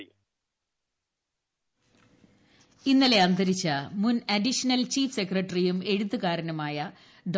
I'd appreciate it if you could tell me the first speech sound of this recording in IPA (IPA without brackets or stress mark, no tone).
i